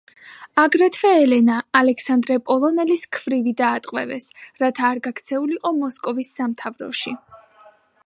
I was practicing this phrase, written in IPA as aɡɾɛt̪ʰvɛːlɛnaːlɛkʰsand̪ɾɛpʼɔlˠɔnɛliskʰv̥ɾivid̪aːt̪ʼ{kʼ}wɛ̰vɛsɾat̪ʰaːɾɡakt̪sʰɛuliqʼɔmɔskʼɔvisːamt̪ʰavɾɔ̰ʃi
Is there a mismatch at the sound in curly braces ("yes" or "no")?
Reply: yes